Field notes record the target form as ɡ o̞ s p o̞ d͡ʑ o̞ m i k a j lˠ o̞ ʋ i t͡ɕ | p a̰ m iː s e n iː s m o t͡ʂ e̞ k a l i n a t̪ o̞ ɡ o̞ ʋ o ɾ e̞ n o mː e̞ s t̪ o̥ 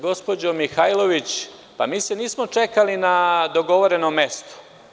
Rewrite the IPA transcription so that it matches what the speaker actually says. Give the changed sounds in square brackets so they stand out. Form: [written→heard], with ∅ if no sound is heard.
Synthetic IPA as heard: ɡ o̞ s p o̞ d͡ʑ o̞ m i [k→x] a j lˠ o̞ ʋ i t͡ɕ | p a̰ m iː s e n iː s m o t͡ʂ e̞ k a l i n a [t̪→d̪] o̞ ɡ o̞ ʋ o ɾ e̞ n o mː e̞ s t̪ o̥